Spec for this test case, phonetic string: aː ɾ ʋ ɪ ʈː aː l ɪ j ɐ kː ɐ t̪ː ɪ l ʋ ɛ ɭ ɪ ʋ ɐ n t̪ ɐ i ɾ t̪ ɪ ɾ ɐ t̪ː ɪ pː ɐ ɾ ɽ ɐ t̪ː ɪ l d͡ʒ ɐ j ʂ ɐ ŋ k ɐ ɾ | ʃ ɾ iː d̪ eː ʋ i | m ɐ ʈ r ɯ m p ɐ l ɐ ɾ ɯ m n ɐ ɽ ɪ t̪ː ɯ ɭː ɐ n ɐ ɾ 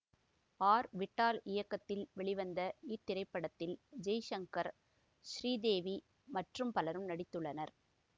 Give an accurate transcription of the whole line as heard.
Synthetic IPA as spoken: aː ɾ ʋ ɪ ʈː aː l ɪ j ɐ kː ɐ t̪ː ɪ l ʋ ɛ ɭ ɪ ʋ ɐ n d̪ ɐ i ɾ t̪ ɪ ɾ ɐ ɪ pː ɐ ɽ ɐ t̪ː ɪ l d͡ʒ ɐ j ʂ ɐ ŋ k ɐ ɾ | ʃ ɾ iː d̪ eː ʋ i | m ɐ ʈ r ɯ m p ɐ l ɐ ɾ ɯ m n ɐ ɽ ɪ t̪ː ɯ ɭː ɐ n ɐ ɾ